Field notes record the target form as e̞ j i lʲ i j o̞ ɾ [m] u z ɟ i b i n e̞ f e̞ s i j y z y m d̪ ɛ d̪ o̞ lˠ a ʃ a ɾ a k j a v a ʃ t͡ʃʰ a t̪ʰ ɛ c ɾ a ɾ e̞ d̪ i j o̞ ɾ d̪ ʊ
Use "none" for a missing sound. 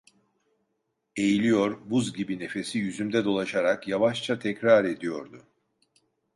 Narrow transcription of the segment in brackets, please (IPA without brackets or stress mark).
b